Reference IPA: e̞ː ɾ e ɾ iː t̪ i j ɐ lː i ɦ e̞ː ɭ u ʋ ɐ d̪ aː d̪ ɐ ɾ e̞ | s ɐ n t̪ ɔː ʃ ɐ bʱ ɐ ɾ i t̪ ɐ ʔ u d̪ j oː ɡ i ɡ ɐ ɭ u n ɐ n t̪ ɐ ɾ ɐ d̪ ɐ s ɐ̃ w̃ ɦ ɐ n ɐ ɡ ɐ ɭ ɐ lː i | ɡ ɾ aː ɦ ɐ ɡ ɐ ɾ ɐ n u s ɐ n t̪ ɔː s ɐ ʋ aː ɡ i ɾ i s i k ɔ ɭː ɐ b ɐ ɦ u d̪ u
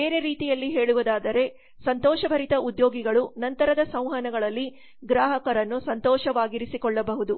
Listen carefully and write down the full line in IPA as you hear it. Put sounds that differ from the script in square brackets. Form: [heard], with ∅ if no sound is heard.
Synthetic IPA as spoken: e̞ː ɾ e ɾ iː t̪ i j ɐ lː i ɦ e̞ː ɭ u ʋ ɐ d̪ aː d̪ ɐ ɾ e̞ | s ɐ n t̪ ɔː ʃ ɐ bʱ ɐ ɾ i t̪ ɐ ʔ u d̪ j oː ɡ i ɡ ɐ ɭ u n ɐ n t̪ ɐ ɾ ɐ d̪ ɐ s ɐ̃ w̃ ɦ ɐ n ɐ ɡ ɐ ɭ ɐ lː i | ɡ ɾ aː ɦ ɐ [k] ɐ ɾ ɐ [nː] u s ɐ n t̪ ɔː [ʃ] ɐ ʋ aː ɡ i ɾ i s i k ɔ ɭː ɐ b ɐ ɦ u d̪ u

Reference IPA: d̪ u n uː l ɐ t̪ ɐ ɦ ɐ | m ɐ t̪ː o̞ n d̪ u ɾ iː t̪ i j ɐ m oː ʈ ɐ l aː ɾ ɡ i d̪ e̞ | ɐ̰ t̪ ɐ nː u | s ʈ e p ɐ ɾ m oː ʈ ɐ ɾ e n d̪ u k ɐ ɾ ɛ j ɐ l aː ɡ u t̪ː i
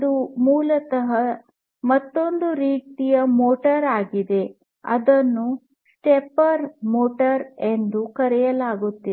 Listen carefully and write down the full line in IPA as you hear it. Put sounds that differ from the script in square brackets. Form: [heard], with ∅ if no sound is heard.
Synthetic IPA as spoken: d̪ u [m] uː l ɐ t̪ ɐ ɦ ɐ | m ɐ t̪ː o̞ n d̪ u ɾ iː t̪ i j ɐ m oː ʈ ɐ [ɾ] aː [∅] ɡ i d̪ e̞ | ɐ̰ [d̪] ɐ nː u | s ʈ e p ɐ ɾ m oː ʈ ɐ ɾ e n d̪ u k ɐ ɾ ɛ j ɐ l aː ɡ u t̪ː i

